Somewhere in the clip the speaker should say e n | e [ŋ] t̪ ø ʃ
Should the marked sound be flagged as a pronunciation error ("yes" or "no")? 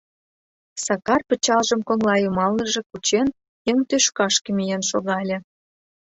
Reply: no